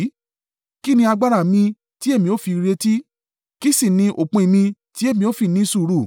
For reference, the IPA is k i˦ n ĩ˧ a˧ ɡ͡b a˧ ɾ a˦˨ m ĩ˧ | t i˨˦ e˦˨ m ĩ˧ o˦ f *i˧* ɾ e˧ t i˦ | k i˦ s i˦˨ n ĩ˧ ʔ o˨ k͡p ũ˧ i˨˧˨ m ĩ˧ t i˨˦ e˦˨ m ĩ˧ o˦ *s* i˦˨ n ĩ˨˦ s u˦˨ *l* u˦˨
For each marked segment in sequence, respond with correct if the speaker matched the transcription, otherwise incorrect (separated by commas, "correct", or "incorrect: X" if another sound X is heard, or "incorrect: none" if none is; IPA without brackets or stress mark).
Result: correct, incorrect: f, incorrect: ɾ